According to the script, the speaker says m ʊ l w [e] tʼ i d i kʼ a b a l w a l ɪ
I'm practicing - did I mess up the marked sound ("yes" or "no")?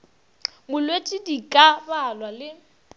no